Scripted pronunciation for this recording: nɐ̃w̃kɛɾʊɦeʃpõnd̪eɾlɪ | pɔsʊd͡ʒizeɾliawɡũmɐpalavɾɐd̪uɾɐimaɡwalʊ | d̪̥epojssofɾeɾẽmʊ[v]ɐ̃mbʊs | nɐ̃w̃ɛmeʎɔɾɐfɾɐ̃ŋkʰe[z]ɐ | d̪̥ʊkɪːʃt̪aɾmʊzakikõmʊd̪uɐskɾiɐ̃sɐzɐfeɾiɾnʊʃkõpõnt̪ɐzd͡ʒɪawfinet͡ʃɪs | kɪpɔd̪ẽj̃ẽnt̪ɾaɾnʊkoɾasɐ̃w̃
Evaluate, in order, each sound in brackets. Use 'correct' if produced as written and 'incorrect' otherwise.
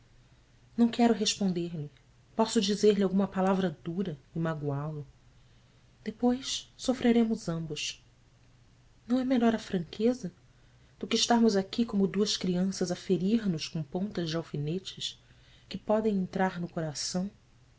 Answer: incorrect: z, correct

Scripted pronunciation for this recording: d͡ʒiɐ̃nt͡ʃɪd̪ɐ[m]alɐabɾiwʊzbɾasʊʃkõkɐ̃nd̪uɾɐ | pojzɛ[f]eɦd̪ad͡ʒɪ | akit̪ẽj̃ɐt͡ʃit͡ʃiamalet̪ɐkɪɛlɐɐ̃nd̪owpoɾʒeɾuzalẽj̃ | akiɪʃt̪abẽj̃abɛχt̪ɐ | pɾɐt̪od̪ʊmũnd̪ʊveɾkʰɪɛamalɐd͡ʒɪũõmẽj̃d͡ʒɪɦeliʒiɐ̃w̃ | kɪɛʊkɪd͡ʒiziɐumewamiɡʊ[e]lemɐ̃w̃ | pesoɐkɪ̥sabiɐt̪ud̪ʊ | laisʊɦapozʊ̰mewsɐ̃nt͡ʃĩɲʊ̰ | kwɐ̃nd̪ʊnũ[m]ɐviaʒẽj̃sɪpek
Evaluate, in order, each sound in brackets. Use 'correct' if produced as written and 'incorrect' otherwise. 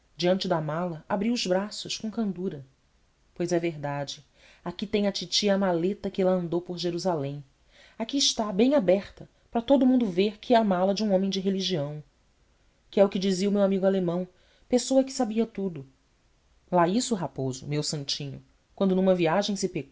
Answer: correct, incorrect: v, incorrect: a, correct

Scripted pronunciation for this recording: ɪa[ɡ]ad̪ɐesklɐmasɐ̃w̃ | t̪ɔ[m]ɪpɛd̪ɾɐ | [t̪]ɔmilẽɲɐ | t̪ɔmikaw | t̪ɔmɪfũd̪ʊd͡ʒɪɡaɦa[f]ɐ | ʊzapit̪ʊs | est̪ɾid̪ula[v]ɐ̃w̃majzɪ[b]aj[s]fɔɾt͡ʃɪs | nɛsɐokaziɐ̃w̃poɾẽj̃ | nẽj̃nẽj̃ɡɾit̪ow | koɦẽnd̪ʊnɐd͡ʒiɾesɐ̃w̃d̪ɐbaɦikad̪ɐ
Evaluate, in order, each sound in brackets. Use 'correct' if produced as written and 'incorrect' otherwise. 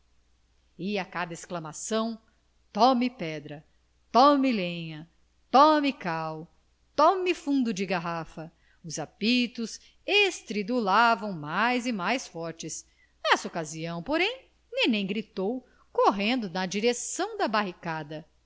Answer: incorrect: k, correct, correct, correct, correct, incorrect: m, correct

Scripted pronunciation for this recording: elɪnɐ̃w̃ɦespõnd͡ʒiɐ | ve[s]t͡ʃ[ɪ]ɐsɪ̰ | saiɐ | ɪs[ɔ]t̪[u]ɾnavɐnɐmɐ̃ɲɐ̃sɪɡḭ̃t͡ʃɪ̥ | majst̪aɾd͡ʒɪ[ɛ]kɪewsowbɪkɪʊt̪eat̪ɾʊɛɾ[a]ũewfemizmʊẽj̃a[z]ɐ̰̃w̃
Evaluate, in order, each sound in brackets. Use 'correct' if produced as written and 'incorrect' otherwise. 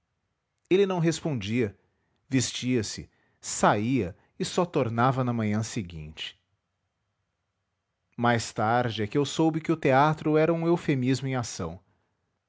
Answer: correct, incorrect: i, correct, incorrect: o, correct, incorrect: ɐ, incorrect: s

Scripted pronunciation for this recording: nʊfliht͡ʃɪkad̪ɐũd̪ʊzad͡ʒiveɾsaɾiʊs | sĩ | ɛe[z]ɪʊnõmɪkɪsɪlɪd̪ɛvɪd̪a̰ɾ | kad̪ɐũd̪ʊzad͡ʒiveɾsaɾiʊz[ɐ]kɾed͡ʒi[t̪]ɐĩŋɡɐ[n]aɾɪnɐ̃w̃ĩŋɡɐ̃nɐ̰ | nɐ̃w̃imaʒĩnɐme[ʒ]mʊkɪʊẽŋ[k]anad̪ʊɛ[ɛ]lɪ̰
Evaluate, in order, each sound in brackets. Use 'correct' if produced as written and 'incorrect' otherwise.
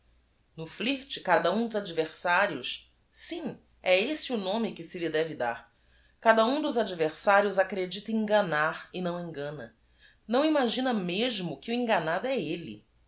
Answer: incorrect: s, incorrect: a, correct, correct, correct, incorrect: ɡ, incorrect: e

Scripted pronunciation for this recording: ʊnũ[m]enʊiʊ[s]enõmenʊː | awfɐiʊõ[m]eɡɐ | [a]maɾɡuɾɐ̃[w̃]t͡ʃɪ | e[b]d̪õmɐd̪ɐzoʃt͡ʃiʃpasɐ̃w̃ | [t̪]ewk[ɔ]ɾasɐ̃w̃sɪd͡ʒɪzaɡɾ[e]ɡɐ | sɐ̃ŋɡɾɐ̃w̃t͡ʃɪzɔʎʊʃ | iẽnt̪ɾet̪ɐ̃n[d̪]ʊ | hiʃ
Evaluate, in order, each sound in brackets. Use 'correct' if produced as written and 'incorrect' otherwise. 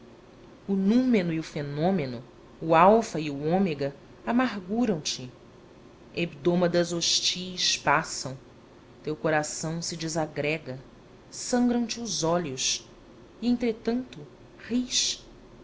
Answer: correct, incorrect: f, correct, correct, correct, correct, correct, incorrect: o, incorrect: ɛ, incorrect: t̪

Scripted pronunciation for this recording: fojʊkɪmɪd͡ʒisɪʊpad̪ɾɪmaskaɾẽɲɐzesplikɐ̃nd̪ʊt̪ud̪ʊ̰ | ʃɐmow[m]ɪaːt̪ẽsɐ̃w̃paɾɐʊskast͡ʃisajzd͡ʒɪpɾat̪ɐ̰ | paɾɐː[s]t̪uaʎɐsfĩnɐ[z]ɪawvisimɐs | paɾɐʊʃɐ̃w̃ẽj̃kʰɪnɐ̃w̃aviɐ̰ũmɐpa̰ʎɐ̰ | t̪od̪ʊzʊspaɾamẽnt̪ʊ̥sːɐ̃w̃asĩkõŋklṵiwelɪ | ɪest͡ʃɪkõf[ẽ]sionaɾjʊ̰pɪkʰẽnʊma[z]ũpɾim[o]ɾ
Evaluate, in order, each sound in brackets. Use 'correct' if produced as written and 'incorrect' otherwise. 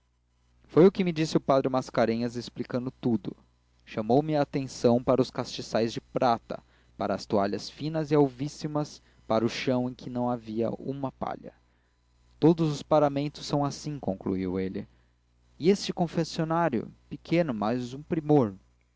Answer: correct, correct, correct, incorrect: e, correct, correct

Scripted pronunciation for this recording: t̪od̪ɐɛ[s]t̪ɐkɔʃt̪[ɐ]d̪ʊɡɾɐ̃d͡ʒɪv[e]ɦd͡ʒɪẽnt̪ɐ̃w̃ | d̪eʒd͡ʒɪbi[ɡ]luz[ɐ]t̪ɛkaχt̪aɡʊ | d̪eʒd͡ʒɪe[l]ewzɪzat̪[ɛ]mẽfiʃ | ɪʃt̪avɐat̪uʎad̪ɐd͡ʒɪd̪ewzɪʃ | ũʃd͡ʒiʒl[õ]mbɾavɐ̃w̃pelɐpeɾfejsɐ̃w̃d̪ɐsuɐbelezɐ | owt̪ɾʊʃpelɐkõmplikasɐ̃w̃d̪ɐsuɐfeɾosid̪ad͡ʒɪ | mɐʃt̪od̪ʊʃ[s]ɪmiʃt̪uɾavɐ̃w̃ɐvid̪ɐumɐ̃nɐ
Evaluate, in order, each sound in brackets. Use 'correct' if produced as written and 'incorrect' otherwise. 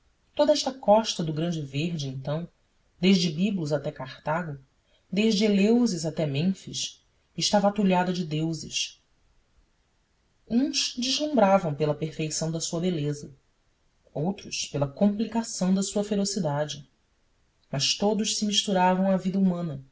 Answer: incorrect: ʃ, correct, correct, incorrect: b, incorrect: a, correct, correct, incorrect: ũ, correct

